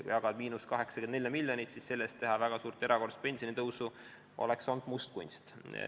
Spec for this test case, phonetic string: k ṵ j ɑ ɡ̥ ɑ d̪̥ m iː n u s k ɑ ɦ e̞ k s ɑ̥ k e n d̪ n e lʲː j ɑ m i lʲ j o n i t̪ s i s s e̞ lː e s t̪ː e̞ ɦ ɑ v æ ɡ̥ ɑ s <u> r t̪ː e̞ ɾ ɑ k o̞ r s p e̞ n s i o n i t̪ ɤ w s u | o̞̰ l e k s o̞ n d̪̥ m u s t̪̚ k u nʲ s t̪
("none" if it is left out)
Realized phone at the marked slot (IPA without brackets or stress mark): uː